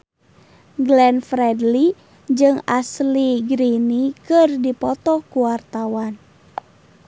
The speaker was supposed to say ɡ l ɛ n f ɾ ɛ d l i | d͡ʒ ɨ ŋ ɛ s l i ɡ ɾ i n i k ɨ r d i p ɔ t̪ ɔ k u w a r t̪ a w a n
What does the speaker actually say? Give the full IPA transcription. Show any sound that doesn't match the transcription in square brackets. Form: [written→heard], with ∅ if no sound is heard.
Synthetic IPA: ɡ l ɛ n f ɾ ɛ d l i | d͡ʒ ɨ ŋ [ɛ→a] s l i ɡ ɾ i n i k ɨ r d i p ɔ t̪ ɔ k u w a r t̪ a w a n